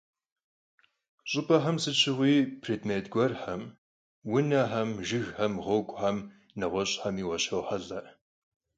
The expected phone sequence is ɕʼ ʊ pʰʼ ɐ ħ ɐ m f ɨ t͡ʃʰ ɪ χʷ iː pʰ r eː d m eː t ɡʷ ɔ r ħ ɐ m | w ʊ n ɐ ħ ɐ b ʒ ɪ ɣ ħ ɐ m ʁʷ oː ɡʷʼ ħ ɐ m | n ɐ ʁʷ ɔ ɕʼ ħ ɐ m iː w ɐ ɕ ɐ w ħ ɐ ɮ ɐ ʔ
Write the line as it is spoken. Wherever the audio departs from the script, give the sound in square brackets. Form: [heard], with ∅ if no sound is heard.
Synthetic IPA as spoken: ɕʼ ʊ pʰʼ ɐ ħ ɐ m [s] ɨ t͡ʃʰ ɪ [ʁʷ] iː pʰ r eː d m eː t ɡʷ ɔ r ħ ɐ m | w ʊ n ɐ ħ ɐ [m] ʒ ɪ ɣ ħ ɐ m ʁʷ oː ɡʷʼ ħ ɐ m | n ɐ ʁʷ ɔ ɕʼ ħ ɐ m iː w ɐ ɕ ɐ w ħ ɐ ɮ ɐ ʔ